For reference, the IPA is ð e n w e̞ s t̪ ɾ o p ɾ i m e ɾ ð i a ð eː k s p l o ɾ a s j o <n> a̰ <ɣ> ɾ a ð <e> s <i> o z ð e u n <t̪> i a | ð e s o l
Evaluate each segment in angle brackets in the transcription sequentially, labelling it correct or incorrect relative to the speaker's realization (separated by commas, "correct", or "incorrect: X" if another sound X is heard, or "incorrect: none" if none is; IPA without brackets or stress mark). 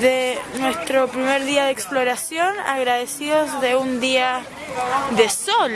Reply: correct, correct, correct, correct, incorrect: d̪